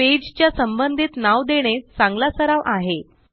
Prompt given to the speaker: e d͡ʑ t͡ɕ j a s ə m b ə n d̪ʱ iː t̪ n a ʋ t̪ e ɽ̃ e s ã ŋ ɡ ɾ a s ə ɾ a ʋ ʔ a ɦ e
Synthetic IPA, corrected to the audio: e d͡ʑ t͡ɕ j a s ə m b ə n d̪ʱ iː t̪ n a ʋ d̪ e ɽ̃ e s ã ŋ ɡ l a s ə ɾ a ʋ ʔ a ɦ e